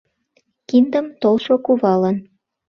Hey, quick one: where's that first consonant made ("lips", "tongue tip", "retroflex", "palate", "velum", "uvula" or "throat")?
velum